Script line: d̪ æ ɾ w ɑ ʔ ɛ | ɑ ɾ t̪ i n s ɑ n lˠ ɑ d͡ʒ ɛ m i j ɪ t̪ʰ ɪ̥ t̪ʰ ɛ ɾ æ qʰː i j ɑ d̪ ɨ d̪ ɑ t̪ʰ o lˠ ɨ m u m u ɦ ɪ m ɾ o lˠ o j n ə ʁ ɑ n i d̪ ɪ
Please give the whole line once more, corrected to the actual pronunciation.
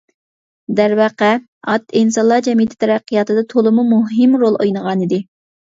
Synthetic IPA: d̪ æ ɾ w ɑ q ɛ | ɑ t̪ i n s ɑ n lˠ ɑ d͡ʒ ɛ m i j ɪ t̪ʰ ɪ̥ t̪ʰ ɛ ɾ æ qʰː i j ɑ t̪ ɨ d̪ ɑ t̪ʰ o lˠ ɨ m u m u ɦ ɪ m ɾ o lˠ o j n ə ʁ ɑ n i d̪ ɪ

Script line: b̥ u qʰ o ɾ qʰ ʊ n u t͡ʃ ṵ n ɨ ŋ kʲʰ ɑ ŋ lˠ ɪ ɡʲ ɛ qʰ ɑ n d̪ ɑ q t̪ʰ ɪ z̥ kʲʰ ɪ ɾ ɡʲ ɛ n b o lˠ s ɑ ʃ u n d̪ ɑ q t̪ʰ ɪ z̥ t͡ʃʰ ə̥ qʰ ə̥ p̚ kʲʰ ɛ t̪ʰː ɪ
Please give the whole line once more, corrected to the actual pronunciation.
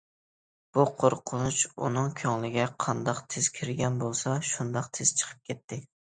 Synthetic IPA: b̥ u qʰ o ɾ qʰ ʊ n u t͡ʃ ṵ n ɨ ŋ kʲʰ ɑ ŋ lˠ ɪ ɡʲ ɛ qʰ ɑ n d̪ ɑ q t̪ʰ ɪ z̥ kʲʰ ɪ ɾ ɡʲ ɛ n b o lˠ s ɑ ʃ u n d̪ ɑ q t̪ʰ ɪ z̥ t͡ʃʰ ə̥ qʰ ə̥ p̚ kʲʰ ɛ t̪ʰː ɪ

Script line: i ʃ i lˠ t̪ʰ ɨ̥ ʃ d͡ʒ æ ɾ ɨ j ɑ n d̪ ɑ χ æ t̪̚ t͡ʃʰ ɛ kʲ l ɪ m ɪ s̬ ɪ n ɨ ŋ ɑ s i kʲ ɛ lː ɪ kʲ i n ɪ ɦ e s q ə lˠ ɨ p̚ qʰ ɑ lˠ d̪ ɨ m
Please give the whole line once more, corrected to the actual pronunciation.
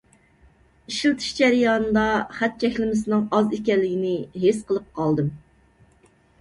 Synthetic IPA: i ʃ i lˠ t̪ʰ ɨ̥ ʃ d͡ʒ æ ɾ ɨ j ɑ n d̪ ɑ χ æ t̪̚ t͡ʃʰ ɛ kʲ l ɪ m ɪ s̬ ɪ n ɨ ŋ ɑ z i kʲ ɛ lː ɪ ɡʲ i n ɪ ɦ e s q ə lˠ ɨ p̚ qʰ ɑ lˠ d̪ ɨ m

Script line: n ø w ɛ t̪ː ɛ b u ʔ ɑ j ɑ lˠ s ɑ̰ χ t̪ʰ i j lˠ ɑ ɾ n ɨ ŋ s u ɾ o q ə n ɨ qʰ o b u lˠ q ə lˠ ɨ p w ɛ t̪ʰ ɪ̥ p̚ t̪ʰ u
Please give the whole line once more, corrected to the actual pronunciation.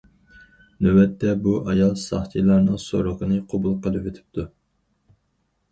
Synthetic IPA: n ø w ɛ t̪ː ɛ b u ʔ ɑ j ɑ lˠ s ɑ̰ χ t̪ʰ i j lˠ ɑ ɾ n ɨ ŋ s o ɾ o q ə n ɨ qʰ o b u lˠ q ə lˠ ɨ p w e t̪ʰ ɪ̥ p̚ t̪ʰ u

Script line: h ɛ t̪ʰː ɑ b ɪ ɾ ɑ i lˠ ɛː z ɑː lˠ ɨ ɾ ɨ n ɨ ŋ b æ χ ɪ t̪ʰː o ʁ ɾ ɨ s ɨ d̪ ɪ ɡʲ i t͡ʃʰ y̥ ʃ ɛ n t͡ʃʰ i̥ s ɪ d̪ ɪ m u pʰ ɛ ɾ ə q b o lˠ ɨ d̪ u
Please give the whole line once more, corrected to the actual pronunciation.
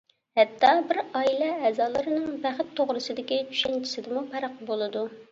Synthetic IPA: h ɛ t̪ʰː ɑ b ɪ ɾ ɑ i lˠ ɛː z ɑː lˠ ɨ ɾ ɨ n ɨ ŋ b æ χ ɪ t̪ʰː o ʁ ɾ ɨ s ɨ d̪ ɪ kʲ i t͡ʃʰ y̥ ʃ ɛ n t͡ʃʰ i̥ s ɪ d̪ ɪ m u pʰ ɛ ɾ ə q b o lˠ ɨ d̪ u

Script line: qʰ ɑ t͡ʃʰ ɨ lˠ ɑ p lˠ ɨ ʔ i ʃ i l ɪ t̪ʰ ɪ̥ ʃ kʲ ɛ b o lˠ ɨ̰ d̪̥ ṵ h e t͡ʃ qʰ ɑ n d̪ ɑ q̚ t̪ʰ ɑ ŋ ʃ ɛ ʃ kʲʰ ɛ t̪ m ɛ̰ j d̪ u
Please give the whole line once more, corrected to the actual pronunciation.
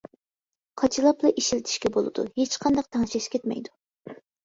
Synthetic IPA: qʰ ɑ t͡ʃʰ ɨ lˠ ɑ p lˠ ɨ ʔ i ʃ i l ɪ t̪ʰ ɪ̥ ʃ kʲ ɛ b o lˠ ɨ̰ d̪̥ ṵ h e t͡ʃ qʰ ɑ n d̪ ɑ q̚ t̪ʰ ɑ ŋ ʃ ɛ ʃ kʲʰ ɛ t̪ m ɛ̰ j d̪ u

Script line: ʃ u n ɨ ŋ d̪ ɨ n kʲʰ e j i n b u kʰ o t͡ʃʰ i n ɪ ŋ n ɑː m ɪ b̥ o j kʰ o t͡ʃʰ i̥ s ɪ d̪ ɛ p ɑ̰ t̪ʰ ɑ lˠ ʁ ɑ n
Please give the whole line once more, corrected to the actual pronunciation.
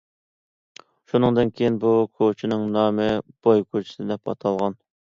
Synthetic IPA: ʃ u n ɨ ŋ d̪ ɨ n kʲʰ e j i n b u kʰ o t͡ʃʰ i n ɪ ŋ n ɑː m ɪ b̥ o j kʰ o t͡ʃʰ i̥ s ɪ d̪ ɛ p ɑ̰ t̪ʰ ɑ lˠ ʁ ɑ n

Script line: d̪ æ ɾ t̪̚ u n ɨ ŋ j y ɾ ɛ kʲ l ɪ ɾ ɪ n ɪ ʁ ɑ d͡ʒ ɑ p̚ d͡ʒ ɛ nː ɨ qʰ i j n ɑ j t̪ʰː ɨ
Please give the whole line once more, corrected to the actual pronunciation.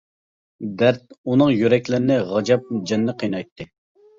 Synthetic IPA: d̪ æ ɾ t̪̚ u n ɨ ŋ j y ɾ ɛ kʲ l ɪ ɾ ɪ n ɪ ʁ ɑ d͡ʒ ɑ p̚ d͡ʒ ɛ nː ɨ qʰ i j n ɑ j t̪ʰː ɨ

